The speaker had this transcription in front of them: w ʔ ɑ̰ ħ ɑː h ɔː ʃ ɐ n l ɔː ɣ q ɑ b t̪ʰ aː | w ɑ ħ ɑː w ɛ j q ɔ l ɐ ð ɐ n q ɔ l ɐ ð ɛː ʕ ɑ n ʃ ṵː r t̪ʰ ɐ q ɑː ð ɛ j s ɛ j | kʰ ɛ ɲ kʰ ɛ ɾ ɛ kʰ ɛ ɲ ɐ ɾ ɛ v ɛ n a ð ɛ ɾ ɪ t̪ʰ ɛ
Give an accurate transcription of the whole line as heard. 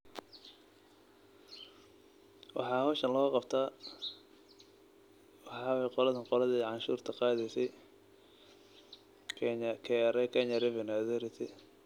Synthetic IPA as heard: w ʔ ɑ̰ ħ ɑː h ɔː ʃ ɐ n l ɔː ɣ q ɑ b t̪ʰ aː | w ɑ ħ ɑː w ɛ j q ɔ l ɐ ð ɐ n q ɔ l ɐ ð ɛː ʕ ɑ n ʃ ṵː r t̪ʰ ɐ q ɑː ð ɛ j s ɛ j | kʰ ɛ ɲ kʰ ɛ ɾ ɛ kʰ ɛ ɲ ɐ ɾ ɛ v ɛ n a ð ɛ ɾ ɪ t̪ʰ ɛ